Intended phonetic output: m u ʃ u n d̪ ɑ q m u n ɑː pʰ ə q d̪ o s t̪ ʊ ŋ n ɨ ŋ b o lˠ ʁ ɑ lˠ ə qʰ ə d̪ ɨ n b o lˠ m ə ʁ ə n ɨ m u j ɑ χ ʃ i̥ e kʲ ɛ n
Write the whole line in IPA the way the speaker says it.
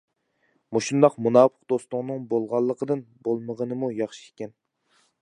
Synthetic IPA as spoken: m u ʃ u n d̪ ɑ q m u n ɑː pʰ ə q d̪ o s t̪ ʊ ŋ n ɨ ŋ b o lˠ ʁ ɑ lˠː ə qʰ ə d̪ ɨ n b o lˠ m ə ʁ ə n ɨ m u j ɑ χ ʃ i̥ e kʲ ɛ n